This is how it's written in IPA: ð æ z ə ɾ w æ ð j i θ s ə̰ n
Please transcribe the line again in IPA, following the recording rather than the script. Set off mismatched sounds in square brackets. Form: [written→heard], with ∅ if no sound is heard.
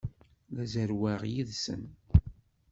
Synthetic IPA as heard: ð æ z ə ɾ w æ [ð→ʁ] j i [θ→ð] s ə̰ n